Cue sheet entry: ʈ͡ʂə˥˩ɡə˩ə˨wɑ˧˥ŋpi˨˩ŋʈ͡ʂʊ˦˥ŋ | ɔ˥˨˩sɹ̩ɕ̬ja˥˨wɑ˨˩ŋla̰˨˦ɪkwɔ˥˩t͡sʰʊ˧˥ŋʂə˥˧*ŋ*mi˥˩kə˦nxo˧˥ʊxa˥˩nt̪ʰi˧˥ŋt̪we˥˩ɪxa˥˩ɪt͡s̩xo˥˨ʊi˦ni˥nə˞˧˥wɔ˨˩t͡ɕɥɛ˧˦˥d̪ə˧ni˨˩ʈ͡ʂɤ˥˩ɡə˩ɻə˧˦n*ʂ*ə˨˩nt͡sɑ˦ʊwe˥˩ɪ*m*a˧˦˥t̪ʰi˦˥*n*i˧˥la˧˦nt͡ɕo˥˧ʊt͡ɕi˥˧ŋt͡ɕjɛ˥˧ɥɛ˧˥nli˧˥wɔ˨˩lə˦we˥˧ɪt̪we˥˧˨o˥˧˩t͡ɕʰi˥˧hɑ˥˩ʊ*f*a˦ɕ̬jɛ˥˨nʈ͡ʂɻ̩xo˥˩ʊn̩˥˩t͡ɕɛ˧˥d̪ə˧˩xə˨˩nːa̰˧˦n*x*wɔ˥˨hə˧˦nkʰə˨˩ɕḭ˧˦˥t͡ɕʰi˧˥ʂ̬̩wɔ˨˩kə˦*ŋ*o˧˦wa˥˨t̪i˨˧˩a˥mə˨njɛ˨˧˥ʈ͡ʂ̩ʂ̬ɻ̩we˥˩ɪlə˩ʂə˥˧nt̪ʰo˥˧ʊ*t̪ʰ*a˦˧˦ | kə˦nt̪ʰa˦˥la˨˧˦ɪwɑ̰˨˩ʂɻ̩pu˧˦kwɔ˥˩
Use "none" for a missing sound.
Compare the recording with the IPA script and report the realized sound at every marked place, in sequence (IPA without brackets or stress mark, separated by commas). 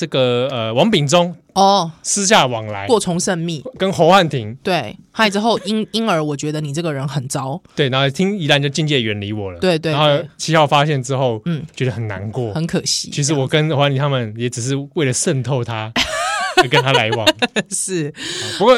n, x, n, ŋ, f, k, n, t̪ʰ